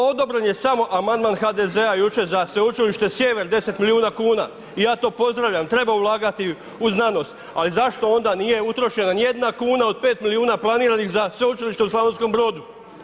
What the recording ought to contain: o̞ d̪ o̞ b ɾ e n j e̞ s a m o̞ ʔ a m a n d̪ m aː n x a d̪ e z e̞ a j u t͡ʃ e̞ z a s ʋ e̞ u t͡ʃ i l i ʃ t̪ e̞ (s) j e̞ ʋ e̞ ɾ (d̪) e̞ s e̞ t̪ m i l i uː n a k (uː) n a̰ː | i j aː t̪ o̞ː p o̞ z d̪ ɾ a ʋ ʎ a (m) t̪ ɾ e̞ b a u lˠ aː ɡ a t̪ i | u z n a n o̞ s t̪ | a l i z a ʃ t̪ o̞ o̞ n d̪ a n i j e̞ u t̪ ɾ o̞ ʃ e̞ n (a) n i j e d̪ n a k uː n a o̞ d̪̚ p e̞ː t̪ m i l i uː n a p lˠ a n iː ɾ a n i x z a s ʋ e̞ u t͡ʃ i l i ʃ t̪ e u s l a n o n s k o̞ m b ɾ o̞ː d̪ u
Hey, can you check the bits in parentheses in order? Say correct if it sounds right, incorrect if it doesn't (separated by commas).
correct, correct, correct, correct, correct